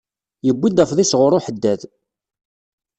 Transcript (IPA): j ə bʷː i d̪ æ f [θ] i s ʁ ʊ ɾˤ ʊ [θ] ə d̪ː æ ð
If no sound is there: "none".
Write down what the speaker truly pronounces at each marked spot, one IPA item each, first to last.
ð, ħ

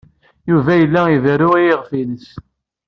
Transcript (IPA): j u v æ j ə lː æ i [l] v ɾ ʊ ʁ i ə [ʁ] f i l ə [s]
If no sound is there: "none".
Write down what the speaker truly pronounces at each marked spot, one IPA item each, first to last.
none, ʁ, s

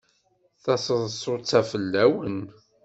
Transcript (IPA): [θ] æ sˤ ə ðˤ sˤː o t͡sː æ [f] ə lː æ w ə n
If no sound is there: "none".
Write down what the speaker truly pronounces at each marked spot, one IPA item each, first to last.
θ, f

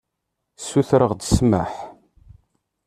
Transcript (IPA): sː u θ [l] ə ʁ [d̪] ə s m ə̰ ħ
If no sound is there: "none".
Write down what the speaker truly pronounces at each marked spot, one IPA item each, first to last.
ɾ, d̪

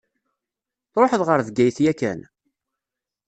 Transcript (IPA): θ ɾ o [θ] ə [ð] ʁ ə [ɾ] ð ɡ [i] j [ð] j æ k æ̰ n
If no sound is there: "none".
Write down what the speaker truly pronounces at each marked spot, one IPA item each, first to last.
ħ, ð, ɾ, æ, θ

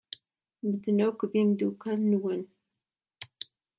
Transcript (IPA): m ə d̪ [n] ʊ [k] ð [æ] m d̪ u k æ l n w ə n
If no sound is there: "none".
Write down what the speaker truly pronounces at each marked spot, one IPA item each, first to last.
n, k, i

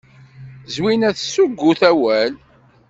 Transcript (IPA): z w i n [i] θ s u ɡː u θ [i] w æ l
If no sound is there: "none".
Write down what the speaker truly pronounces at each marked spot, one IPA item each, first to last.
æ, æ

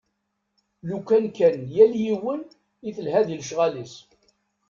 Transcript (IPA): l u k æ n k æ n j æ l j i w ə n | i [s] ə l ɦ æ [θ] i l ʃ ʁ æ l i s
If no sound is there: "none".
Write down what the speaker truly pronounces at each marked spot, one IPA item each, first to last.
θ, ð

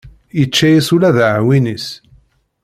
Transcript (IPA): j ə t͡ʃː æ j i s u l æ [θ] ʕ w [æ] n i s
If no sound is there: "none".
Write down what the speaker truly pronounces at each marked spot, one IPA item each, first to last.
ð, i

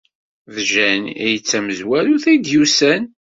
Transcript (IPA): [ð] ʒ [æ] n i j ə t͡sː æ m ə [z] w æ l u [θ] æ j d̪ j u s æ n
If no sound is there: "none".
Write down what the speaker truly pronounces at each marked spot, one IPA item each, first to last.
ð, æ, z, θ

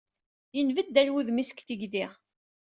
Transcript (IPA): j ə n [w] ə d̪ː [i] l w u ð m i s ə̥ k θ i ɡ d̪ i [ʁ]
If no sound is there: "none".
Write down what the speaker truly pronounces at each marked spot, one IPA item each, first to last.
v, æ, ʁ

